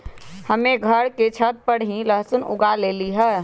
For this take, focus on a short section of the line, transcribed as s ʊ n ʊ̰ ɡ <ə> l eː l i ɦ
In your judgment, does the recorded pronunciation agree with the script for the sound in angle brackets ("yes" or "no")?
no